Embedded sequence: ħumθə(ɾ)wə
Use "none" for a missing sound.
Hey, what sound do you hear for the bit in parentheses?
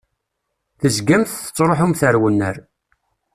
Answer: ɾ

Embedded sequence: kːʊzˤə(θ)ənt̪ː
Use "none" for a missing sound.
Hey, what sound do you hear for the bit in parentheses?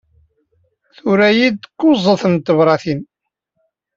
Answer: θ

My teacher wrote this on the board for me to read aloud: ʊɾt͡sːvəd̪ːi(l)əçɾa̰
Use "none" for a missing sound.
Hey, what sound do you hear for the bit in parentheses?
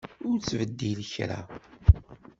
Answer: l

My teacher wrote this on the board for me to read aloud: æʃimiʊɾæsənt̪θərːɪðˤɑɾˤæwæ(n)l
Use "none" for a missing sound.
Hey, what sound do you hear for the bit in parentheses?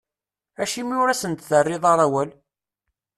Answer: none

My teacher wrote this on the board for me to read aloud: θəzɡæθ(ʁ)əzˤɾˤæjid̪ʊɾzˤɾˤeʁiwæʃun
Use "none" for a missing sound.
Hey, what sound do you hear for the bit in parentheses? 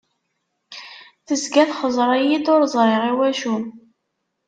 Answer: χ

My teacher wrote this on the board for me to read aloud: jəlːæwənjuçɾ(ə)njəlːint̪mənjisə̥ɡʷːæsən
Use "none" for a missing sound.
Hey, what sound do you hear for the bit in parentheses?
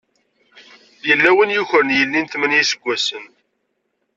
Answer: ə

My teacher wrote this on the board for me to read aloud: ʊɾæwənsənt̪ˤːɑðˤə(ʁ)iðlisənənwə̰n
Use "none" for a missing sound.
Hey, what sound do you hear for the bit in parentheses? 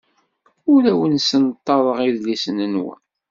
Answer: ʁ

